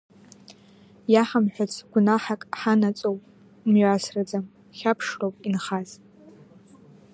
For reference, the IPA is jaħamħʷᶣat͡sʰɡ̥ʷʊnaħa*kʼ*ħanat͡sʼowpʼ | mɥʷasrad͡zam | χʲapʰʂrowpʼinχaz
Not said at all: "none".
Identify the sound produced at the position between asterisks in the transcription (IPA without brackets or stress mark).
kʼ